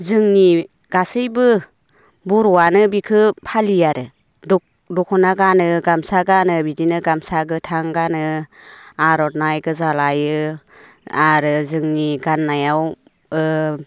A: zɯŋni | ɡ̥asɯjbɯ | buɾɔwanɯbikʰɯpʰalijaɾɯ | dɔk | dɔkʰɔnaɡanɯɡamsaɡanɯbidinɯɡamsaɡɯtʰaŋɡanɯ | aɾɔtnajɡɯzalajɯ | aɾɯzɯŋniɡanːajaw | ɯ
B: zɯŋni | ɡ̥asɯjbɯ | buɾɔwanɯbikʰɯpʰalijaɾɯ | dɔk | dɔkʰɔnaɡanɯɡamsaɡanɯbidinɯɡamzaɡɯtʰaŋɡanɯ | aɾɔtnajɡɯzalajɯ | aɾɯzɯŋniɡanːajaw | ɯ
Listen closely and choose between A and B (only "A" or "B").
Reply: A